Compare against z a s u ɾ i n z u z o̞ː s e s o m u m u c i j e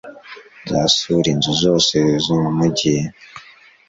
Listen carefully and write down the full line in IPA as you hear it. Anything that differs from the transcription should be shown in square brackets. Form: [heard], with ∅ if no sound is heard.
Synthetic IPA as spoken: z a s u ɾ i n z u z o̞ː s e [z] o m u m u [ɟ] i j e